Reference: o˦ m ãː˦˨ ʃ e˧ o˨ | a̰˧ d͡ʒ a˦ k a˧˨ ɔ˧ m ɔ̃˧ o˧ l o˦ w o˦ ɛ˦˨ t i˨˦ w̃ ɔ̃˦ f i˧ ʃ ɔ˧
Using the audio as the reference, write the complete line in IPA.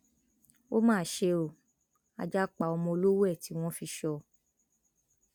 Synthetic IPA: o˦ m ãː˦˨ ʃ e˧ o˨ | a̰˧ d͡ʒ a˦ k͡p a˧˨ ɔ˧ m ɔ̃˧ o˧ l o˦ w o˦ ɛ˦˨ t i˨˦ w̃ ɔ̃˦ f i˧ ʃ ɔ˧